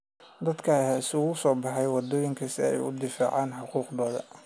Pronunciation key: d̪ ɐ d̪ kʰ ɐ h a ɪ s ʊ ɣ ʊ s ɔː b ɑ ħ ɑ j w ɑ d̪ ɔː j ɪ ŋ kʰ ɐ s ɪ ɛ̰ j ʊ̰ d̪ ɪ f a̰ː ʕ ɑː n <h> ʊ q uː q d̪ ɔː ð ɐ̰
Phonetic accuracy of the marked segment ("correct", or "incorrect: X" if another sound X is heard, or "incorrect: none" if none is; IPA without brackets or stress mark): incorrect: ħ